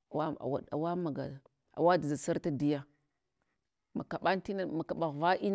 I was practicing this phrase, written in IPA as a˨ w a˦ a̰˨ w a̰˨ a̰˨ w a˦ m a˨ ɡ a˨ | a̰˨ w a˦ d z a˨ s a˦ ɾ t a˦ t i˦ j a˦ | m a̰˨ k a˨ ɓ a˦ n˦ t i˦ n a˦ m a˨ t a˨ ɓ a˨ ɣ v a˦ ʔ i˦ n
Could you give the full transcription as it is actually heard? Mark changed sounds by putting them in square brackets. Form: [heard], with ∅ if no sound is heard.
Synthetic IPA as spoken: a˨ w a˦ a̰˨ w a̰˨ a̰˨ w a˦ m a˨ ɡ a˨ | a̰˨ w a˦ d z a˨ s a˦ ɾ t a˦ [d] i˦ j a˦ | m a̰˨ k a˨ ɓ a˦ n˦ t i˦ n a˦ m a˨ [k] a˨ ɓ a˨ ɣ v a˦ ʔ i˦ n